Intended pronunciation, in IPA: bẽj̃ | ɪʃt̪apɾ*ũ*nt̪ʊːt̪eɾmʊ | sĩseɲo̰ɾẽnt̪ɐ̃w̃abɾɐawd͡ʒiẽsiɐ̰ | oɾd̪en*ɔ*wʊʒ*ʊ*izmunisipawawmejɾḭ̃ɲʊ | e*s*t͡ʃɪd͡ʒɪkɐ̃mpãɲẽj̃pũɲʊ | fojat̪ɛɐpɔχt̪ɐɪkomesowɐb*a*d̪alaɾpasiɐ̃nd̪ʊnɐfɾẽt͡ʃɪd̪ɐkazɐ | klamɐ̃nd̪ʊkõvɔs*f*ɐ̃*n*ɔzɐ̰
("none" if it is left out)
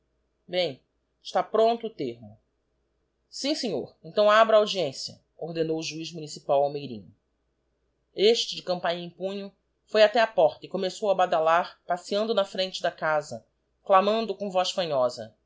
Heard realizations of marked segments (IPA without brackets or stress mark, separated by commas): õ, o, u, ʃ, a, f, ɲ